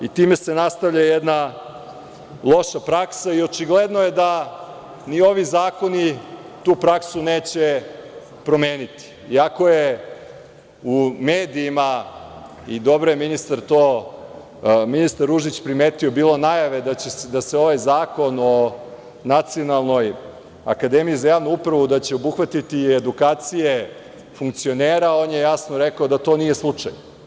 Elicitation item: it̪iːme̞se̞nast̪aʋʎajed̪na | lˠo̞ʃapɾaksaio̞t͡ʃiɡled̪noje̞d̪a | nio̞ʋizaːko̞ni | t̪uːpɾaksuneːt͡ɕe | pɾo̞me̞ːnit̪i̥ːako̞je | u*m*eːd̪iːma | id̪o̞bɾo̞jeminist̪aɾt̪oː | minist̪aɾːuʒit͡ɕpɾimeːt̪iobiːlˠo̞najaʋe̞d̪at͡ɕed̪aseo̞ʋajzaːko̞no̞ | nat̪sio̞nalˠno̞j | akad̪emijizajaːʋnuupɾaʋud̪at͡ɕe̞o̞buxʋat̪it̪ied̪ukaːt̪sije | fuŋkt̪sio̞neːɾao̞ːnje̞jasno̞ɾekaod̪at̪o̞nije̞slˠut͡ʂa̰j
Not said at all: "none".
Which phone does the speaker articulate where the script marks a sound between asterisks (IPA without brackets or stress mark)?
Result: m